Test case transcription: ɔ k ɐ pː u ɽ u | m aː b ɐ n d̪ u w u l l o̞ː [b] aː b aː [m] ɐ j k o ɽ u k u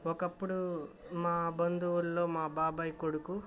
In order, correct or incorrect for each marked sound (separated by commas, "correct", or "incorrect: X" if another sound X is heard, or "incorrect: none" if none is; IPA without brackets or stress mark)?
incorrect: m, incorrect: b